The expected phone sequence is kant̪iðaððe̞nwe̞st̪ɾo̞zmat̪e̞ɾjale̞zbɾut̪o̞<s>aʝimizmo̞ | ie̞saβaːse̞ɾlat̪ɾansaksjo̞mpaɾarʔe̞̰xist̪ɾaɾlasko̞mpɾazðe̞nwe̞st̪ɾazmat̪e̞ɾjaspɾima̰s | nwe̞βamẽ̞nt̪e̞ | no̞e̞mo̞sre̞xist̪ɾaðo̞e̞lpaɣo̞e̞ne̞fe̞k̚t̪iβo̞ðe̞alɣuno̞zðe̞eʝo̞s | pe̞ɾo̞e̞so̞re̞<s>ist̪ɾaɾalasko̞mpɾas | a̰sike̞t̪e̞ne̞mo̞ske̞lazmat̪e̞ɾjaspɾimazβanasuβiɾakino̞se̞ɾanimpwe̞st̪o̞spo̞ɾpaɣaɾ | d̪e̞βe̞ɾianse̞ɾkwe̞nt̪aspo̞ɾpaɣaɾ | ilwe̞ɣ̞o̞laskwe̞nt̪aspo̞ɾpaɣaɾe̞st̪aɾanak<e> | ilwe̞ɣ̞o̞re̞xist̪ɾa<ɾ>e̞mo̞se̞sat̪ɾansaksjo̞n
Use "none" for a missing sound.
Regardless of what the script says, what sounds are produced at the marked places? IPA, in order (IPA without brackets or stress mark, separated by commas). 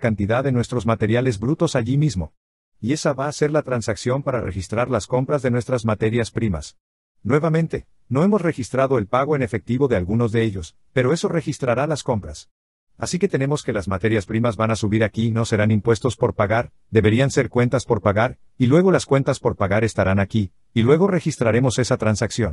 s, x, i, ɾ